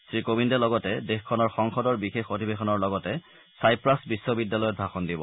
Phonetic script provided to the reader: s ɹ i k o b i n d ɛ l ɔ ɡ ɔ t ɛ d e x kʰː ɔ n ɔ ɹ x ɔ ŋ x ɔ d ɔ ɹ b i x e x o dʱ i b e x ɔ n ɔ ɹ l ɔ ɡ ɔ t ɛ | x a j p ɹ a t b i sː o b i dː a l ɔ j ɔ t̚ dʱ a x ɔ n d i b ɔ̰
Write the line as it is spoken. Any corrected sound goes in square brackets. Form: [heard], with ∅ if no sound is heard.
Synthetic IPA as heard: s ɹ i k o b i n d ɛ l ɔ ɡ ɔ t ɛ d e x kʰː ɔ n ɔ ɹ x ɔ ŋ x ɔ d ɔ ɹ b i x e x o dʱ i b e x ɔ n ɔ ɹ l ɔ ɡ ɔ t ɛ | [s] a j p ɹ a [s] b i sː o b i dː a l ɔ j ɔ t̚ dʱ a x ɔ n d i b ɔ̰